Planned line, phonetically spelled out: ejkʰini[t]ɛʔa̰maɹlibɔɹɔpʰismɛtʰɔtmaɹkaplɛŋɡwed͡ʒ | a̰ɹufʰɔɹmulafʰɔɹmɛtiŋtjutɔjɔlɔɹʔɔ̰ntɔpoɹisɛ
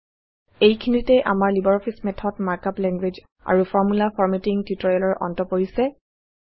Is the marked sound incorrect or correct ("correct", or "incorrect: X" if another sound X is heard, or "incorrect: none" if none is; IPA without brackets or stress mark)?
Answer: correct